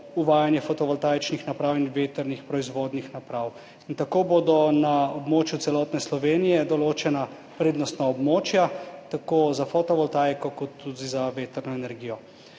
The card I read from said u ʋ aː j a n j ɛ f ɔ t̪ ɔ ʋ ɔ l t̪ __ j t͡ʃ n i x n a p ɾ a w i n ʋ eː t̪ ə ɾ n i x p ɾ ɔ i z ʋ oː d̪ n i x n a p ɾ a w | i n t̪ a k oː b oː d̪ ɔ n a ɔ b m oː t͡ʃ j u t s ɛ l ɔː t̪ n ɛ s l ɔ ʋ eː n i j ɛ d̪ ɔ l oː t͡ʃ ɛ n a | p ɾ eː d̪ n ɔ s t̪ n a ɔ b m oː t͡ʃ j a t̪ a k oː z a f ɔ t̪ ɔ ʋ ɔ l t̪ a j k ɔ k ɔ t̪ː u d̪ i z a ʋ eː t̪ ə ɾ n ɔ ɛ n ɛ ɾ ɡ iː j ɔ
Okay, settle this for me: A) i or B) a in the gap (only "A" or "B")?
B